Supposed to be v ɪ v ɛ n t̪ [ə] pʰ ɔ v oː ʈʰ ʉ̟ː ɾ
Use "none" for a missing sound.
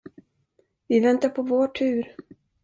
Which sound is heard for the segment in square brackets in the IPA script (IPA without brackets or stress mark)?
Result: a